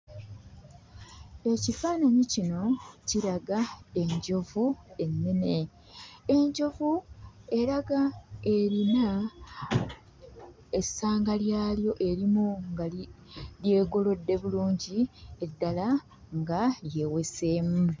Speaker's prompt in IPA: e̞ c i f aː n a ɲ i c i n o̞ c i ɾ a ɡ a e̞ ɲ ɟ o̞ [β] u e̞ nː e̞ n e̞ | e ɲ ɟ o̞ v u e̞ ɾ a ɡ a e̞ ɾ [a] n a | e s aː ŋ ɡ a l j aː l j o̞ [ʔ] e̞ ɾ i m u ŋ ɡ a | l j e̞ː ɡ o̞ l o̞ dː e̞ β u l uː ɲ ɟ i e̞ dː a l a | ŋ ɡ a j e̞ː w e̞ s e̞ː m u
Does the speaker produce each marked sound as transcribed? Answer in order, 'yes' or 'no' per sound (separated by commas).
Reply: no, no, yes